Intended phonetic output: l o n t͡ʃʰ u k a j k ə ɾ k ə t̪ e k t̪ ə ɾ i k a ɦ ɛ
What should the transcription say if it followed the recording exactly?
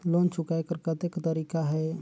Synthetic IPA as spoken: l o n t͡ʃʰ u k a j k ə ɾ k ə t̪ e k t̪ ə ɾ i k a ɦ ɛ